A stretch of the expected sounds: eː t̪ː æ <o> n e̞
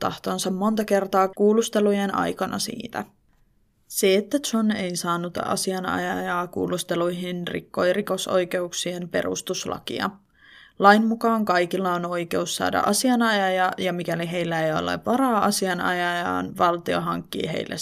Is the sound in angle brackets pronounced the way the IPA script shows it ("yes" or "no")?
yes